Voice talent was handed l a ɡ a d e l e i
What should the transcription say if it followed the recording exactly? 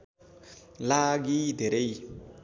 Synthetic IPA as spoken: l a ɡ i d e ɾ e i